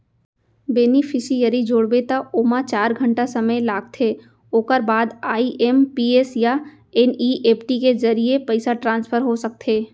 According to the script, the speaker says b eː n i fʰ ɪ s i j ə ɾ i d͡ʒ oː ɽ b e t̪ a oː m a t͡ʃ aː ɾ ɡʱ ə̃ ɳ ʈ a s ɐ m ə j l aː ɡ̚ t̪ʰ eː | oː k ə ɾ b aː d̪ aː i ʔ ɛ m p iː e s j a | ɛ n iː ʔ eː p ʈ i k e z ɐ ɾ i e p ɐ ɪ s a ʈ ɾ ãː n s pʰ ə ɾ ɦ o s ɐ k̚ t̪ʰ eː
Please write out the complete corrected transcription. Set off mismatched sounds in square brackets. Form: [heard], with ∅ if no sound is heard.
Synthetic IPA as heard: b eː n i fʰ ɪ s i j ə ɾ i d͡ʒ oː ɽ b e t̪ a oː m a t͡ʃ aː ɾ ɡʱ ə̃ ɳ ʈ a s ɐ m ə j l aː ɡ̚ t̪ʰ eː | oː k ə ɾ b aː d̪ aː i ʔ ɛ m p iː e s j a | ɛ n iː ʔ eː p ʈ i k e z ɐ ɾ i e p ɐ ɪ s a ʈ ɾ ãː n s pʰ ə ɾ ɦ o s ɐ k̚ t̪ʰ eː

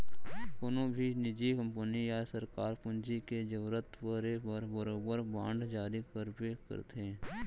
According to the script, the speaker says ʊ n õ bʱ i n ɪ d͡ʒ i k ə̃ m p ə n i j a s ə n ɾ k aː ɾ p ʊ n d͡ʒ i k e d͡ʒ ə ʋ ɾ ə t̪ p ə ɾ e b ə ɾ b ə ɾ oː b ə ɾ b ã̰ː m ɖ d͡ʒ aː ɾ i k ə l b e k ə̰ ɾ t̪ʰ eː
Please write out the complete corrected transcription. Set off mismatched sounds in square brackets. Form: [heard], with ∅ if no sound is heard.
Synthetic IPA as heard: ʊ n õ bʱ i n ɪ d͡ʒ i k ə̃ m p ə n i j a s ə [∅] ɾ k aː ɾ p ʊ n d͡ʒ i k e d͡ʒ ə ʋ ɾ ə t̪ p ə ɾ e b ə ɾ b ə ɾ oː b ə ɾ b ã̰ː [ɳ] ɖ d͡ʒ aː ɾ i k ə [ɾ] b e k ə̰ ɾ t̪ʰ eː

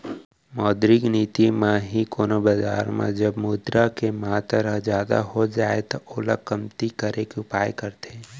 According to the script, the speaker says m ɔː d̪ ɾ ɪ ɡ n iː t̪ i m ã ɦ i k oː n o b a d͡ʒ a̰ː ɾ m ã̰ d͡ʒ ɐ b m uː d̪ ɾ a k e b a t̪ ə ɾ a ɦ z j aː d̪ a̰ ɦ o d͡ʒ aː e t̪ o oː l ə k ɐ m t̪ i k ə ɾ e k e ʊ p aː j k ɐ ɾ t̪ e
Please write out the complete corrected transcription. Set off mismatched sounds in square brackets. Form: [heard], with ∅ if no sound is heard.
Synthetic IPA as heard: m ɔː d̪ ɾ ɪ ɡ n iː t̪ i m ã ɦ i k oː n o b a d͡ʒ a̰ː ɾ m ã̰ d͡ʒ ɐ b m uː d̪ ɾ a k e [m] a t̪ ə ɾ [ə] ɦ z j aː d̪ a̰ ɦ o d͡ʒ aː e t̪ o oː l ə k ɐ m t̪ i k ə ɾ e k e ʊ p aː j k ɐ ɾ t̪ e

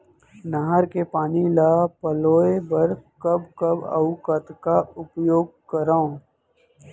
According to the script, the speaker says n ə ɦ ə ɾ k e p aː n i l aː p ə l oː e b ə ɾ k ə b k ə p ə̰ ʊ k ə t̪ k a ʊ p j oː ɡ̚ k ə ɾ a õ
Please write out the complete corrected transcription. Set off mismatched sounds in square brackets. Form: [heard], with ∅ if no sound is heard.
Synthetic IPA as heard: n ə ɦ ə ɾ k e p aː n i l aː p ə l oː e b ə ɾ k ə b k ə [b] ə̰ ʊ k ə t̪ k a ʊ p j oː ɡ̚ k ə ɾ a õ

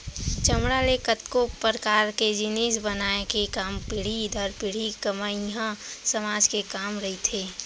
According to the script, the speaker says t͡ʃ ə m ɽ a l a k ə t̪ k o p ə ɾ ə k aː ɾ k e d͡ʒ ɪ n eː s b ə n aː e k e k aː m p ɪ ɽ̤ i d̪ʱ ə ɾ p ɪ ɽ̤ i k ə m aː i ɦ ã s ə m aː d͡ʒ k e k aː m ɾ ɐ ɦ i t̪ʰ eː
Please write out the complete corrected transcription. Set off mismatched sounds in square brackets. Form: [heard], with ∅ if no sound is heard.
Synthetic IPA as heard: t͡ʃ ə m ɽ a l [e] k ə t̪ k o p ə ɾ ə k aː ɾ k e d͡ʒ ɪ n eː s b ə n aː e k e k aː m p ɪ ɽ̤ i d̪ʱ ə ɾ p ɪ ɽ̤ i k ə m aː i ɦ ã s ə m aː d͡ʒ k e k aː m ɾ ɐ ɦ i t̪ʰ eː

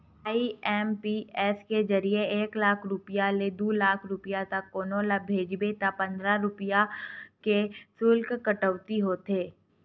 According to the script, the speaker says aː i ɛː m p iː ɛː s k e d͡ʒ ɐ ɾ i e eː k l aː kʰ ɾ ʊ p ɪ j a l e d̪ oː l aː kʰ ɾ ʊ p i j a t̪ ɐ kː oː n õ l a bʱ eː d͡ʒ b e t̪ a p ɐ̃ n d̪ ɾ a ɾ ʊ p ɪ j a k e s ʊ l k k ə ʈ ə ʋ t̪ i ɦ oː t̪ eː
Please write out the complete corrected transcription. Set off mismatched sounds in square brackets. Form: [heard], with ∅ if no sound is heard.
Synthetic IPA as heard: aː i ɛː m p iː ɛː s k e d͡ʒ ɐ ɾ i e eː k l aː kʰ ɾ ʊ p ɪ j a l e d̪ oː l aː kʰ ɾ ʊ p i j a t̪ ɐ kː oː n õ l a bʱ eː d͡ʒ b e t̪ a p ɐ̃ n d̪ ɾ a ɾ ʊ p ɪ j a k e s ʊ l k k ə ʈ ə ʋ t̪ i ɦ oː t̪ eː

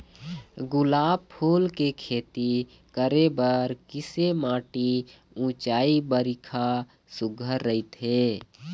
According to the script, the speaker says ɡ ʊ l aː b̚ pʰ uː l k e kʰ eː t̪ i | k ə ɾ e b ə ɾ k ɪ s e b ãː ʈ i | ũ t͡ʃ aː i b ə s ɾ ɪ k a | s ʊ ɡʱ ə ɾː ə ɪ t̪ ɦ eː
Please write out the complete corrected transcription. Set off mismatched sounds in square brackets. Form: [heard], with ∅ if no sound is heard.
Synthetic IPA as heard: ɡ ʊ l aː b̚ pʰ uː l k e kʰ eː t̪ i | k ə ɾ e b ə ɾ k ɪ s e [m] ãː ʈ i | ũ t͡ʃ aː i b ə [∅] ɾ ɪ [kʰ] a | s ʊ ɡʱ ə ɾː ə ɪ t̪ ɦ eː

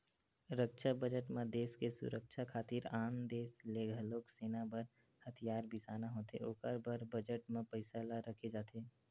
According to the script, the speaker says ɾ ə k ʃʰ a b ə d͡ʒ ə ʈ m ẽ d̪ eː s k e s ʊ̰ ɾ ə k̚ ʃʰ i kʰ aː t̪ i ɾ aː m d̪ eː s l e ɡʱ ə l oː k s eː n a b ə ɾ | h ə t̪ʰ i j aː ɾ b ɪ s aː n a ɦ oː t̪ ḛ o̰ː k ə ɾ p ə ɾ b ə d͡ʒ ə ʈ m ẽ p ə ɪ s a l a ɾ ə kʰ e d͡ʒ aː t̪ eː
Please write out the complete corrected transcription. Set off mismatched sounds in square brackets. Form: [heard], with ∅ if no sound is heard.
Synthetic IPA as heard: ɾ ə k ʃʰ a b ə d͡ʒ ə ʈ m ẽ d̪ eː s k e s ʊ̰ ɾ ə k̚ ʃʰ [a] kʰ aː t̪ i ɾ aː m d̪ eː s l e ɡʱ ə l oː k s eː n a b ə ɾ | h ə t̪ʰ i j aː ɾ b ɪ s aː n a ɦ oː t̪ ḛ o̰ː k ə ɾ [b] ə ɾ b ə d͡ʒ ə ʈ m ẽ p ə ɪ s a l a ɾ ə kʰ e d͡ʒ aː t̪ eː

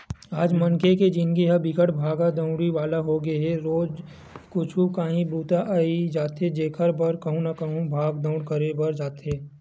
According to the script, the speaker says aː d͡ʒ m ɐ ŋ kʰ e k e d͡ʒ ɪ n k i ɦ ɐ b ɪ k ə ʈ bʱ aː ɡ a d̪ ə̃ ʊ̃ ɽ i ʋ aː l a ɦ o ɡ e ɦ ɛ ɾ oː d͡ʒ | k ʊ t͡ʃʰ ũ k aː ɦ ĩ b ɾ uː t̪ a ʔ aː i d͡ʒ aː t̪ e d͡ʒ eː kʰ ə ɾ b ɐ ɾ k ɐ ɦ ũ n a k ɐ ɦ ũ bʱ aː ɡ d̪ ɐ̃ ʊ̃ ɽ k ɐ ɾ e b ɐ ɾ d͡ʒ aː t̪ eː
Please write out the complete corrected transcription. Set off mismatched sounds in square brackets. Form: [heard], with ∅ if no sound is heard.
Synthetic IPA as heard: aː d͡ʒ m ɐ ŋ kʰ e k e d͡ʒ ɪ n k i ɦ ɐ b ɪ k ə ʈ bʱ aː ɡ a d̪ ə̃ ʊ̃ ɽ i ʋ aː l a ɦ o ɡ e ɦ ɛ ɾ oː d͡ʒ | k ʊ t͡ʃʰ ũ k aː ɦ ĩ b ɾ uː t̪ a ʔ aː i d͡ʒ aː t̪ e d͡ʒ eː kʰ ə ɾ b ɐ ɾ k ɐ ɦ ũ n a k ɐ ɦ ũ bʱ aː ɡ d̪ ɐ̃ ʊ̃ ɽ k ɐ ɾ e b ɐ ɾ d͡ʒ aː t̪ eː

